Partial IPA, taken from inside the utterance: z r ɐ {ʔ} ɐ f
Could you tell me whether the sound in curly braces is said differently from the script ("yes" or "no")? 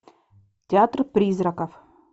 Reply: yes